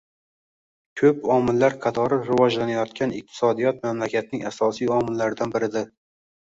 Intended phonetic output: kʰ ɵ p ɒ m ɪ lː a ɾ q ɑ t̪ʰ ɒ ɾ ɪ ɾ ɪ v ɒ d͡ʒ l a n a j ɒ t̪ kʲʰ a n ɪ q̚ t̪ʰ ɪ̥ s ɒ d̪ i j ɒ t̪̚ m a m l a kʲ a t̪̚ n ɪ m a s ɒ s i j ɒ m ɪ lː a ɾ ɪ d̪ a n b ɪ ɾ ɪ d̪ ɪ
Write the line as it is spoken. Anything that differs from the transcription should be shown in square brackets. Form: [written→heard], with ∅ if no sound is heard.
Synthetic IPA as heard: kʰ ɵ p ɒ m ɪ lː a ɾ [q→qʰ] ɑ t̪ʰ ɒ ɾ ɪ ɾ ɪ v ɒ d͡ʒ l a n a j ɒ t̪ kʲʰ a n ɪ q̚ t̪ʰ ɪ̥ s ɒ d̪ i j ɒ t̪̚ m a m l a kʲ a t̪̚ n ɪ [m→ŋ] a s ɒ s i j ɒ m ɪ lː a ɾ ɪ d̪ a n b ɪ ɾ ɪ d̪ ɪ